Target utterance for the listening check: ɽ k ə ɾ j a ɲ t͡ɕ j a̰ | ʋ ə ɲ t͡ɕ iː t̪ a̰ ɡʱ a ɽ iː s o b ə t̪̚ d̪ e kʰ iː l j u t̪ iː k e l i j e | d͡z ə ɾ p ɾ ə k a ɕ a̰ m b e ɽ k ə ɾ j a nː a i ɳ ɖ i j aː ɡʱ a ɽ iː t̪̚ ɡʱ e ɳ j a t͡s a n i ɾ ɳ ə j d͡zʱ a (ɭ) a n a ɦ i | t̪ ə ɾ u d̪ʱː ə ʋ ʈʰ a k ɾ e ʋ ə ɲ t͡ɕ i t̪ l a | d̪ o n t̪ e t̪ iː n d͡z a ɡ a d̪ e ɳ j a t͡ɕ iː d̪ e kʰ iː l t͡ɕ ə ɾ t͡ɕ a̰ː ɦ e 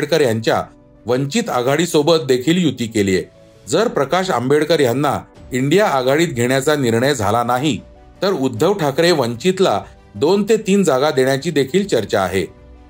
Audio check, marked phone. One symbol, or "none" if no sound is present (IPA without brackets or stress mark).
l